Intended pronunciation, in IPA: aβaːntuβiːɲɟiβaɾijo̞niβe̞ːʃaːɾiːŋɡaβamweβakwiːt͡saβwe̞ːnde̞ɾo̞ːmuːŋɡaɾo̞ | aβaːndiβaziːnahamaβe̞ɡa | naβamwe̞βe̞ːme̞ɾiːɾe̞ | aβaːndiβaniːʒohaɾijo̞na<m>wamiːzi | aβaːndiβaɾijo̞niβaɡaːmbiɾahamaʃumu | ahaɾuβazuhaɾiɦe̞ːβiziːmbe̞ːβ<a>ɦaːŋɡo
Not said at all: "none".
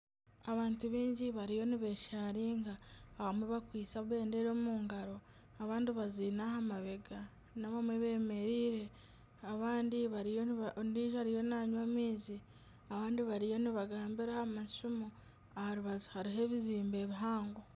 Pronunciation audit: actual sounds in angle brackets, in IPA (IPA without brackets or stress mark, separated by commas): ɲ, i